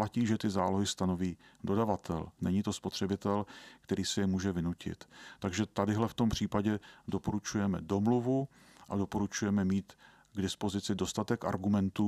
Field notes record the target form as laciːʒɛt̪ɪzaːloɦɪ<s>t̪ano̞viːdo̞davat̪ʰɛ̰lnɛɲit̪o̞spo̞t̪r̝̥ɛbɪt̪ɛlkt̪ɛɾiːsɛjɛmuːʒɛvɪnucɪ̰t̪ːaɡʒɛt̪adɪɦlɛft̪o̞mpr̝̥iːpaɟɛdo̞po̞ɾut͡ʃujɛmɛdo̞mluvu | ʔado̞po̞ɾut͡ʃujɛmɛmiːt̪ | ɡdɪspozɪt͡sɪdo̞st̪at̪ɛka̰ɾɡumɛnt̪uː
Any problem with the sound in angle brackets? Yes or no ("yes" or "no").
no